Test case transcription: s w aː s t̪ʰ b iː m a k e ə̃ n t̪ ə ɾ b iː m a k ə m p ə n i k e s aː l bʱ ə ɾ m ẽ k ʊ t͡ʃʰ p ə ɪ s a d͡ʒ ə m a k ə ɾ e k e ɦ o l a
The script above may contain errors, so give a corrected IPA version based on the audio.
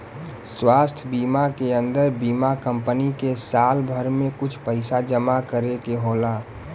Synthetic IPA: s w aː s t̪ʰ b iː m a k e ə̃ n d̪ ə ɾ b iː m a k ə m p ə n i k e s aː l bʱ ə ɾ m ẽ k ʊ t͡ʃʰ p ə ɪ s a d͡ʒ ə m a k ə ɾ e k e ɦ o l a